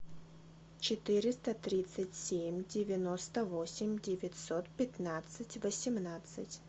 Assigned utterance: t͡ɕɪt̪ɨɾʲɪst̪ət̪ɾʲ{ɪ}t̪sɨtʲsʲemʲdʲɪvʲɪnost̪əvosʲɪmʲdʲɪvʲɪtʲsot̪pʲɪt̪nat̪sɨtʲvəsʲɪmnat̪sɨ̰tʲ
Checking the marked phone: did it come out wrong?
yes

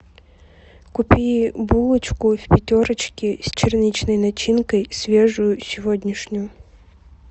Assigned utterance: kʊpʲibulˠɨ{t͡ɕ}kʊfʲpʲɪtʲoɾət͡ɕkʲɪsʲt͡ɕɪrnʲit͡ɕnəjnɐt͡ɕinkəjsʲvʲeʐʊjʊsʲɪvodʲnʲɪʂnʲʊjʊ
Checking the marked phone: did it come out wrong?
no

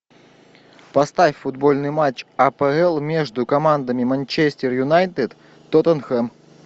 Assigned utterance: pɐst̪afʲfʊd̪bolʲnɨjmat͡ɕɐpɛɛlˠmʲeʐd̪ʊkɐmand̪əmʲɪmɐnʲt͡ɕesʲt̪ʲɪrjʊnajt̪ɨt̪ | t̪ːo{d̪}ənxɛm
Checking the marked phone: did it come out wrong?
yes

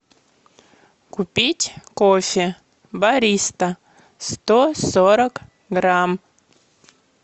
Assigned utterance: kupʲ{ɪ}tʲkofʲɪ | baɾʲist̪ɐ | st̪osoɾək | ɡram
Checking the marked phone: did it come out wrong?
yes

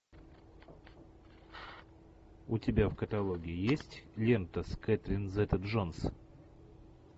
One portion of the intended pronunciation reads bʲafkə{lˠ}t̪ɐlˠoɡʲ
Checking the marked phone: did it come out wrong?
yes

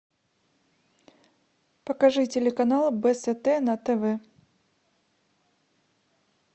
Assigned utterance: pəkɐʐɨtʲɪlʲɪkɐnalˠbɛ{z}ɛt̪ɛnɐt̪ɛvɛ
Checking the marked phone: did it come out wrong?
yes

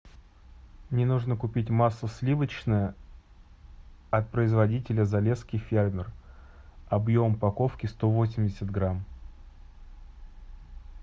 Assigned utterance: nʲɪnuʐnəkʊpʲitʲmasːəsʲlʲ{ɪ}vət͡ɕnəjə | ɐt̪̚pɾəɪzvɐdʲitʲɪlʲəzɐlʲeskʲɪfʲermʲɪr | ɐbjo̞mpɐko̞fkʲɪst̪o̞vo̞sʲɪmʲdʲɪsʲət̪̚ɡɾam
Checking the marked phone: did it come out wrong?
yes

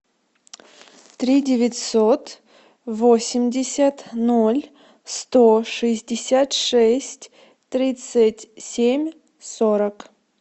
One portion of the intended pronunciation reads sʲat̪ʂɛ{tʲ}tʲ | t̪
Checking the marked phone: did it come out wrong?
yes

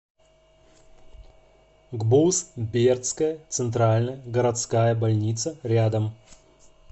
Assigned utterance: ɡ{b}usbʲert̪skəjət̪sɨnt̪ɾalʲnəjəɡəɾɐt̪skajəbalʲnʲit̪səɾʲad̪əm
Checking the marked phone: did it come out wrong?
no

